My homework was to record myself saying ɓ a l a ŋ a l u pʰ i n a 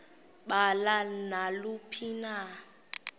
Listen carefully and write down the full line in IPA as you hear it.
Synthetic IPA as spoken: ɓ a l a n a l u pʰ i n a